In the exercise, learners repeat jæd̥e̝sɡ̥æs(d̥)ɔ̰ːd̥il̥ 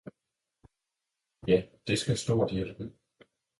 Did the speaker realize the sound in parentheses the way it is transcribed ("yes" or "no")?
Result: yes